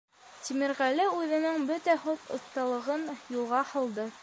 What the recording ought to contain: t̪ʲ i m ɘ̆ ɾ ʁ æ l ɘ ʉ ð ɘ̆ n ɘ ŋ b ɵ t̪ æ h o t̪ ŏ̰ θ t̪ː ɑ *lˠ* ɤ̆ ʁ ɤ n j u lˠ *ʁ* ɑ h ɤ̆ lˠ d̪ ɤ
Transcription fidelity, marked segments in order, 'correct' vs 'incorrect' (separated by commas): correct, correct